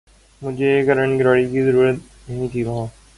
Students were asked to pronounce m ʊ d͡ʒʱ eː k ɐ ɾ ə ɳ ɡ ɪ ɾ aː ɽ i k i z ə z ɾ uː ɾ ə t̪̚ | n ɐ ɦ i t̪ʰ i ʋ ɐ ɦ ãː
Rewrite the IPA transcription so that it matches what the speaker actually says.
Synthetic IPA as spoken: m ʊ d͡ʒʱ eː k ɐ ɾ ə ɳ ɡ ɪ ɾ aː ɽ i k i z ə ɾ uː ɾ ə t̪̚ | n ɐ ɦ ĩ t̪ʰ i ʋ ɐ ɦ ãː